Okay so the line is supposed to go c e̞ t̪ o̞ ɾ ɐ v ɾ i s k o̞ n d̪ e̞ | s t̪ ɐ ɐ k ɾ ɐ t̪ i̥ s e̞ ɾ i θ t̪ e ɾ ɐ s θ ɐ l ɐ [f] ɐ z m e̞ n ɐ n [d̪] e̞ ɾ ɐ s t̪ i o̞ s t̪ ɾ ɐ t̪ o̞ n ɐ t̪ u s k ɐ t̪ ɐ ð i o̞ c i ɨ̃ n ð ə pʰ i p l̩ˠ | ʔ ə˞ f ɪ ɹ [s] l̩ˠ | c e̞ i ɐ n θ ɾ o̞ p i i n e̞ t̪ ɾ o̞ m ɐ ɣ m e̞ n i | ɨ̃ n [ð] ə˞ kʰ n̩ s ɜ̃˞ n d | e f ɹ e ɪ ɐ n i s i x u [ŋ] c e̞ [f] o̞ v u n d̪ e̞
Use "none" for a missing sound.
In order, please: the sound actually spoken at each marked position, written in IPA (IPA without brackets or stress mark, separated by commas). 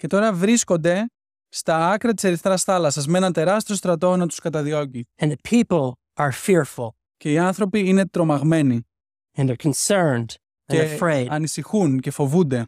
s, t̪, f, ð, n, f